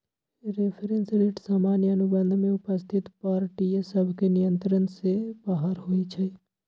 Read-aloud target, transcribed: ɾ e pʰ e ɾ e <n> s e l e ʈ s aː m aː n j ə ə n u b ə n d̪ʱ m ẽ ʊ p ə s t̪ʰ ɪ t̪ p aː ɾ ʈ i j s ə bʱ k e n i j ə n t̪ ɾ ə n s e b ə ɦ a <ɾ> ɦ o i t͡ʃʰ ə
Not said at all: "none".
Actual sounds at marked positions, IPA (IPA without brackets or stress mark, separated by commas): n, ɾ